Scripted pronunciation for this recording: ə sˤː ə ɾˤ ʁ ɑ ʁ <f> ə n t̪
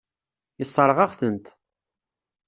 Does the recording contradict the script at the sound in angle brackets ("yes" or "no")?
yes